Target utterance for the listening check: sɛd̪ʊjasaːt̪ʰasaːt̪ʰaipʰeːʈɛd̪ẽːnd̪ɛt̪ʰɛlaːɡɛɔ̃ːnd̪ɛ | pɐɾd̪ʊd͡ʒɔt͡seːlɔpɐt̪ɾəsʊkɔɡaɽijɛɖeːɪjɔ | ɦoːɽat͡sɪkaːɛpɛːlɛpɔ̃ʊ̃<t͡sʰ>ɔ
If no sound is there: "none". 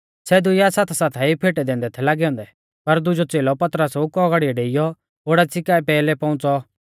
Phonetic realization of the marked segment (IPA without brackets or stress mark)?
t͡s